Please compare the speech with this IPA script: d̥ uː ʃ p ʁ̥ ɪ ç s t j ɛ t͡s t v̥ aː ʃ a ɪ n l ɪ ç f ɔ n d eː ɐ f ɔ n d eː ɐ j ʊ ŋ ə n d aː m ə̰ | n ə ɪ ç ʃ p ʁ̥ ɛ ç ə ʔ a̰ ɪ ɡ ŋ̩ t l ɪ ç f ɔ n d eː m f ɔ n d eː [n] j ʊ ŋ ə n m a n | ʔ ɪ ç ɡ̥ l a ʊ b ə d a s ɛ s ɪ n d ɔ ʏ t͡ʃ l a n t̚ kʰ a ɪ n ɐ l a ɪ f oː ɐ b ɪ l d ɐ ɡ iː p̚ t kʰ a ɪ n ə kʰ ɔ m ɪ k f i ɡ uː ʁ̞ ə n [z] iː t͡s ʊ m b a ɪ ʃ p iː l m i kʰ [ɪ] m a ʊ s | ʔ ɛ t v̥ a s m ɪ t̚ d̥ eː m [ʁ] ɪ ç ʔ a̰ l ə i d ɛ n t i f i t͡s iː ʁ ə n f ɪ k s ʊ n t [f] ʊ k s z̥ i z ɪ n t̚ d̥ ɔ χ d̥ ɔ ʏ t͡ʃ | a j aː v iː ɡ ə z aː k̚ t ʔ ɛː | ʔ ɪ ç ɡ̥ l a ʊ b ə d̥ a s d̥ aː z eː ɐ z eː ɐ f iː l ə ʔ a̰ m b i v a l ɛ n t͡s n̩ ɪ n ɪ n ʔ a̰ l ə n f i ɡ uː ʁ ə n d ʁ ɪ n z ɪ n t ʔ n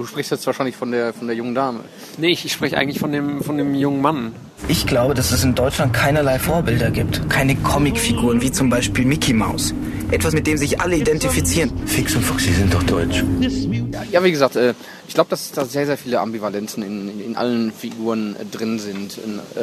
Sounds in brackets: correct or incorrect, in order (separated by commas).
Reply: incorrect, incorrect, incorrect, incorrect, correct